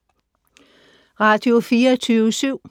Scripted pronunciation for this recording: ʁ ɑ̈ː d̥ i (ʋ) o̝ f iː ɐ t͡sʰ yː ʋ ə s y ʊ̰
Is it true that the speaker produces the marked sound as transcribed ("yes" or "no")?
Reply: no